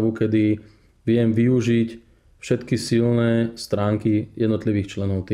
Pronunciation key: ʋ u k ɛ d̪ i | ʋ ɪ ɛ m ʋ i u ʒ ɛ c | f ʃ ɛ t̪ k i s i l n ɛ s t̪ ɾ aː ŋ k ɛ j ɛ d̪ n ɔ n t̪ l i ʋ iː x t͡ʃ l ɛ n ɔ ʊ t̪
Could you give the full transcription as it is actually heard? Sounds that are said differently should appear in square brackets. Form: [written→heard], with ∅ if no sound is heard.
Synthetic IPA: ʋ u k ɛ d̪ i | ʋ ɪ ɛ m ʋ i u ʒ [ɛ→i] c | f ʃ ɛ t̪ k i s i l n ɛ s t̪ ɾ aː ŋ k [ɛ→i] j ɛ d̪ n ɔ [n→∅] t̪ l i ʋ iː x t͡ʃ l ɛ n ɔ ʊ t̪